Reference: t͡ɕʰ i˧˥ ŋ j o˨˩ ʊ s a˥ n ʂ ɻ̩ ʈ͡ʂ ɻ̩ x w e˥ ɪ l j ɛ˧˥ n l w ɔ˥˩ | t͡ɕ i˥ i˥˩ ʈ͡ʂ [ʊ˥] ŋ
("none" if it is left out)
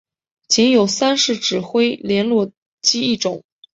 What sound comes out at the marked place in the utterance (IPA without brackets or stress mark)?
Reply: ʊ˨˩˦